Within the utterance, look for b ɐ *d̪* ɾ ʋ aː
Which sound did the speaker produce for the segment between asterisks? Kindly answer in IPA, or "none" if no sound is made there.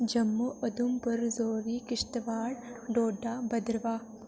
d̪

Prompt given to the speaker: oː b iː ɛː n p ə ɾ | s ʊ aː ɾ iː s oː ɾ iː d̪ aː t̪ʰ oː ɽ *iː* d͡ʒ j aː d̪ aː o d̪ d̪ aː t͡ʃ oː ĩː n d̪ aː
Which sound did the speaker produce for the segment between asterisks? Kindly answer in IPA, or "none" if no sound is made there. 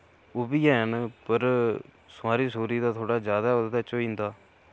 aː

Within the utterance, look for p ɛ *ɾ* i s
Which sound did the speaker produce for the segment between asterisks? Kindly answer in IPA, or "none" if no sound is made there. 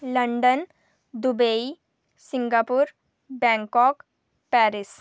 ɾ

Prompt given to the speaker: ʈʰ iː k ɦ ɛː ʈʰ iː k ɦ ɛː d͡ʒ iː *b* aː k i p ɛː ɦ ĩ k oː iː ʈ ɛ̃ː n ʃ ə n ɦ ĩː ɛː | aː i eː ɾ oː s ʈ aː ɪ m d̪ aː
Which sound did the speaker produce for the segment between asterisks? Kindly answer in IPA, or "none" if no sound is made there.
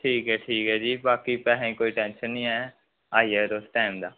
b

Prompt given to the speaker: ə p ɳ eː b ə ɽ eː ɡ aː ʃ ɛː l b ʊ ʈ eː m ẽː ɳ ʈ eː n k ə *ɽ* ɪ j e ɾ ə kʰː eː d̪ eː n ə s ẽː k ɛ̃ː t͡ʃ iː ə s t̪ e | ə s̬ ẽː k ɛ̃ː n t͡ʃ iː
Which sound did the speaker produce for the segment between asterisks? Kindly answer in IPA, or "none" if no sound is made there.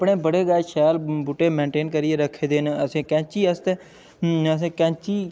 ɾ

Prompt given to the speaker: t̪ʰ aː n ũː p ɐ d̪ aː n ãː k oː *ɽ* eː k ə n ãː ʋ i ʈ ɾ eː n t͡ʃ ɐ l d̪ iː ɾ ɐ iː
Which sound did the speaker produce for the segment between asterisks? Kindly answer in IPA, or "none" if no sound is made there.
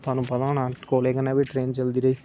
l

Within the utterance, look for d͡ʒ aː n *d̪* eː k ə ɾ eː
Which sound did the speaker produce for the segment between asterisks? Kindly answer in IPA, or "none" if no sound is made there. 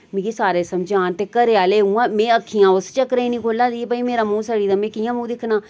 t̪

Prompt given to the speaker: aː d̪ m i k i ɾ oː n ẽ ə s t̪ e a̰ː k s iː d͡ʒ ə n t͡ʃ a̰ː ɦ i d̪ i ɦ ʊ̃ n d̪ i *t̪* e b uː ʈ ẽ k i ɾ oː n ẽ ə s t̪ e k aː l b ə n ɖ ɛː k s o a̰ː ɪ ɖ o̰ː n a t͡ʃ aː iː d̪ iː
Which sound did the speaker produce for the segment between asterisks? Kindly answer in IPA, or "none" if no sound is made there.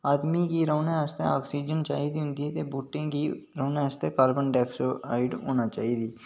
t̪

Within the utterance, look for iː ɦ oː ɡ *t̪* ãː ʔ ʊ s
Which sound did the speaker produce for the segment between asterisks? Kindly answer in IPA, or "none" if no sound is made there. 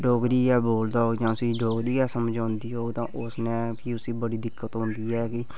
t̪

